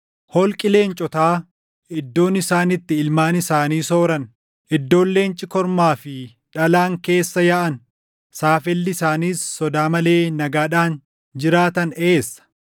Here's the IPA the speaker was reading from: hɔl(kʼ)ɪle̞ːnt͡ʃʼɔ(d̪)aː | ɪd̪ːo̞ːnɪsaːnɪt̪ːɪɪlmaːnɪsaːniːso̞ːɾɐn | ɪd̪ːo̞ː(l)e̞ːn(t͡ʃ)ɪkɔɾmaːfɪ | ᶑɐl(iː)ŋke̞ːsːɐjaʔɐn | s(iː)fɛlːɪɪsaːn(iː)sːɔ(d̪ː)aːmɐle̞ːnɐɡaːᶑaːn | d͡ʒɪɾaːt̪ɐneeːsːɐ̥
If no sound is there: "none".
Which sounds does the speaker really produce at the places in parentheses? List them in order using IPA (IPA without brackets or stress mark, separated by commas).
kʼ, t̪, lː, t͡ʃʼ, aː, aː, iː, d̪